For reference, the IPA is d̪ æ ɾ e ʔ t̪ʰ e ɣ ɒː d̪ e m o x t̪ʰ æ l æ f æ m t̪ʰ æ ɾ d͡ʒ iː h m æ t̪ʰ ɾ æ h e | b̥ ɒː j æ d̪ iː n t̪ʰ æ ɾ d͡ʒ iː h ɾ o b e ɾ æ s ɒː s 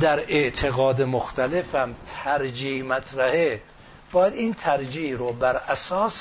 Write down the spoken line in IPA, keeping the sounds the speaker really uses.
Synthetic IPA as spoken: d̪ æ ɾ e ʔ t̪ʰ e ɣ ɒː d̪ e m o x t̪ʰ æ l e f æ m t̪ʰ æ ɾ d͡ʒ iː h m æ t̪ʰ ɾ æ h e | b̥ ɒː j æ d̪ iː n t̪ʰ æ ɾ d͡ʒ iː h ɾ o b æ ɾ æ s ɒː s